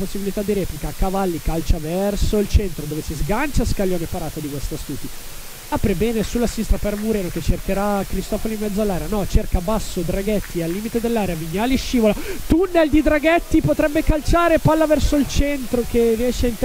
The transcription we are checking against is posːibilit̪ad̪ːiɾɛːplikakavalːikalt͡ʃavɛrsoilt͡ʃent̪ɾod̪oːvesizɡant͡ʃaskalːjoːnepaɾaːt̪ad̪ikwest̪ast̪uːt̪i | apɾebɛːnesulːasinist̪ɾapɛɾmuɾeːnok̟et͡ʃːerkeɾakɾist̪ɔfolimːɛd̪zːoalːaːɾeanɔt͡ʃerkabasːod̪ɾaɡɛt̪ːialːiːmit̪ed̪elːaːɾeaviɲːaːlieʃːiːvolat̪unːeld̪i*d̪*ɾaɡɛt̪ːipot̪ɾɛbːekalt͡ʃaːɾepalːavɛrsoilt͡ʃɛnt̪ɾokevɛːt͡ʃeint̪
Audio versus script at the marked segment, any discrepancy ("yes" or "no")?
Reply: no